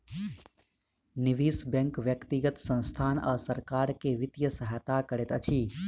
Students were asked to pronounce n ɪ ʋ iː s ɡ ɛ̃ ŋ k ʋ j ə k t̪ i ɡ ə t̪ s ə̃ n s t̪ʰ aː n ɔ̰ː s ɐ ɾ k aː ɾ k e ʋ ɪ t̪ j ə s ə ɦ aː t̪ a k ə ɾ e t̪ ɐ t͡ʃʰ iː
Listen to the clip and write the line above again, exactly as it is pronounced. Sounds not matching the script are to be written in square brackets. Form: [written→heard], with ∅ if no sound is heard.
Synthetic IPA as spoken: n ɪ ʋ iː s [ɡ→b] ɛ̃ ŋ k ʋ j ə k t̪ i ɡ ə t̪ s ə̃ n s t̪ʰ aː n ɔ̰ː s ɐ ɾ k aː ɾ k e ʋ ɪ t̪ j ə s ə ɦ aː t̪ a k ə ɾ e t̪ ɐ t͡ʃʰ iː